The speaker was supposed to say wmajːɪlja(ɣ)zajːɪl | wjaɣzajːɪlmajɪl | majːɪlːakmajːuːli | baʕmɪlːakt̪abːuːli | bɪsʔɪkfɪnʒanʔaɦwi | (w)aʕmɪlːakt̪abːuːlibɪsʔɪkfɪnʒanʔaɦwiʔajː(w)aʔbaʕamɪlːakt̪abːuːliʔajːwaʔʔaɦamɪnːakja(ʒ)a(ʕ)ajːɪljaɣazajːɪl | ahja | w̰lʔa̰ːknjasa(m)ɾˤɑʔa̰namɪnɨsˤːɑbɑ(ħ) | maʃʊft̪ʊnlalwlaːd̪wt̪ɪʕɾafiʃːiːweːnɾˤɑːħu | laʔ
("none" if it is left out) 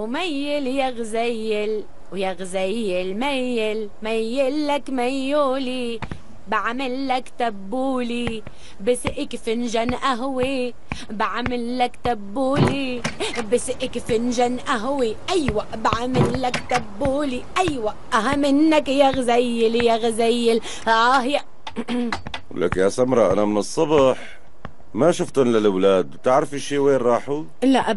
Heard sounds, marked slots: ɣ, b, w, ɣ, z, m, ħ

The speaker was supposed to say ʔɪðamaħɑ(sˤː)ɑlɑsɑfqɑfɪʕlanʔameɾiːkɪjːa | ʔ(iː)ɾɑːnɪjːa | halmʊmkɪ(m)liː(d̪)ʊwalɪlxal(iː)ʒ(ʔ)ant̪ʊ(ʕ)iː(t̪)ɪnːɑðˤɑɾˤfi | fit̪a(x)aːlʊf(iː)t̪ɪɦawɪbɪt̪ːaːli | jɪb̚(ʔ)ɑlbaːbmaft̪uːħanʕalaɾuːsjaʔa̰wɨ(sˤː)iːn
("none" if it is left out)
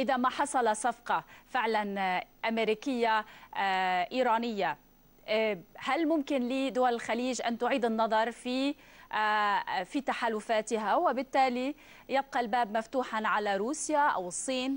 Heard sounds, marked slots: sˤ, iː, n, d̪, iː, ʔ, ʕ, d̪, ħ, aː, q, sˤː

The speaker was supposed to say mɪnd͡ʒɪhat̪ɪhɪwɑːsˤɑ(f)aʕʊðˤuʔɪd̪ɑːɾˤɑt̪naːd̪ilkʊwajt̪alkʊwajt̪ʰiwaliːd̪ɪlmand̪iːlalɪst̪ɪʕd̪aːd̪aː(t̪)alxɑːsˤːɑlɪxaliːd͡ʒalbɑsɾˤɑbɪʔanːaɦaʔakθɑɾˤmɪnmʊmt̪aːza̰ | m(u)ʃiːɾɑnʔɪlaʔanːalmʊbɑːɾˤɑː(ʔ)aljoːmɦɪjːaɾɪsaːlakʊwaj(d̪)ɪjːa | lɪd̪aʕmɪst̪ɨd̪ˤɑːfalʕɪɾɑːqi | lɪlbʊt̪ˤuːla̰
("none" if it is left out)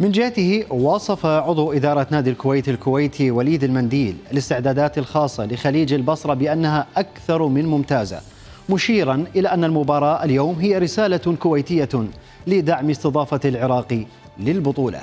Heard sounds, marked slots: f, t̪, ʊ, ʔ, t̪

